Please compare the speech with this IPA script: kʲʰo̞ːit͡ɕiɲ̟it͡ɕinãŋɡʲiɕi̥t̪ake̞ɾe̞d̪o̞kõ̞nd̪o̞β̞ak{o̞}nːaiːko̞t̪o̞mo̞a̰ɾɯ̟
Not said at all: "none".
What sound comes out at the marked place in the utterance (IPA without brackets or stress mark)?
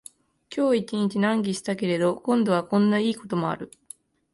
õ̞